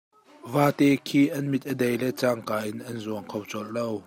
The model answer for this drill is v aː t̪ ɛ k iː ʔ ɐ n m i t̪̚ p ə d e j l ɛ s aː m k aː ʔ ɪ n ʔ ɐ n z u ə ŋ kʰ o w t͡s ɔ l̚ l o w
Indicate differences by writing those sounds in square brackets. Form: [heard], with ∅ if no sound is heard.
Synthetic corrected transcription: v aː t̪ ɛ [kʰ] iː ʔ ɐ n m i t̪̚ [ʔ] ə d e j l ɛ [t͡s] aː [ŋ] k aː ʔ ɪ n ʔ ɐ n z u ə ŋ kʰ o w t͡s ɔ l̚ l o w